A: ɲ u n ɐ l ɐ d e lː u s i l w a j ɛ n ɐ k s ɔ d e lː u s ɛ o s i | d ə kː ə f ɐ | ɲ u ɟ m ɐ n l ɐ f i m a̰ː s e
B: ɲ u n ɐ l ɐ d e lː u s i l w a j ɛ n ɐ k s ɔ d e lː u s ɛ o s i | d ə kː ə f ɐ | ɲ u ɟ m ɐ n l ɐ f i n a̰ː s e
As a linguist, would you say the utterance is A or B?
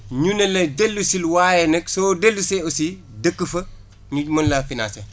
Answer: B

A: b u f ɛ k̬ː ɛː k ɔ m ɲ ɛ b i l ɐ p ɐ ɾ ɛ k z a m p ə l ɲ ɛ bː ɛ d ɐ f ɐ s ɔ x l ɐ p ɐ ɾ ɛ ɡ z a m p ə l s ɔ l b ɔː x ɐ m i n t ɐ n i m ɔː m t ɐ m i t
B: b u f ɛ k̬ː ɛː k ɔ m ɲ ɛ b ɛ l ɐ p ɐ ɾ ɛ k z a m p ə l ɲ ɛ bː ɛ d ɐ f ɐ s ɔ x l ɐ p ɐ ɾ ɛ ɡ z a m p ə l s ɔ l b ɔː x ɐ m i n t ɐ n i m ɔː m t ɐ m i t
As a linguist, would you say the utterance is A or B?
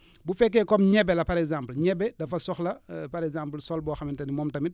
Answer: B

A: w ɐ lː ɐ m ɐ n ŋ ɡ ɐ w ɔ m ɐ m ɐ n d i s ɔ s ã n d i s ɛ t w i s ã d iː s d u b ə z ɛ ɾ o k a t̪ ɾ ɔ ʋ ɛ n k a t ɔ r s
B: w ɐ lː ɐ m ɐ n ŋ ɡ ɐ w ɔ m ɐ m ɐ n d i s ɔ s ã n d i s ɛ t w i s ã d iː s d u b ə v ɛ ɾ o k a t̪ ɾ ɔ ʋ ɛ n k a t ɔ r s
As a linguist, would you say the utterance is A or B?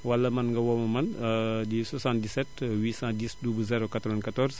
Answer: A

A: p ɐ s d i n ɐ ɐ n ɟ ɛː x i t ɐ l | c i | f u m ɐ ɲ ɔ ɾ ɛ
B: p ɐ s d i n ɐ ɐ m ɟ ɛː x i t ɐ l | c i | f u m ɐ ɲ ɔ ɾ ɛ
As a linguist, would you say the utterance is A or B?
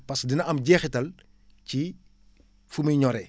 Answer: B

